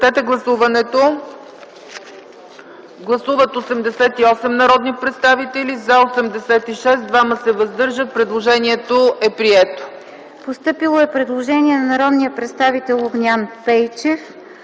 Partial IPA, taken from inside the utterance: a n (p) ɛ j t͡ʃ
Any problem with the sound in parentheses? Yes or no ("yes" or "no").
no